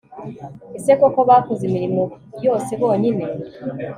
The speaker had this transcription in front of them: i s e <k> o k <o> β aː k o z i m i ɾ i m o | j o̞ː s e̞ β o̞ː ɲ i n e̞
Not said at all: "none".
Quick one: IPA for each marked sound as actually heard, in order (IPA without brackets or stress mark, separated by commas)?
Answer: k, o